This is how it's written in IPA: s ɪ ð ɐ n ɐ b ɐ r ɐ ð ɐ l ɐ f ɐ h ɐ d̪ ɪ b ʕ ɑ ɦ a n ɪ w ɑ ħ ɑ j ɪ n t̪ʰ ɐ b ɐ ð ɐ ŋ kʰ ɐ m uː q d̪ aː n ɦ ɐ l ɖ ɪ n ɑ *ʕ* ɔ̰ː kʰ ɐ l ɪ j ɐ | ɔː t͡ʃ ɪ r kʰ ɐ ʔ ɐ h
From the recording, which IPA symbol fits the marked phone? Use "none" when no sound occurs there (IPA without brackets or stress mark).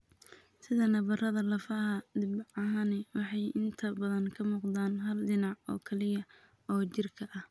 ʕ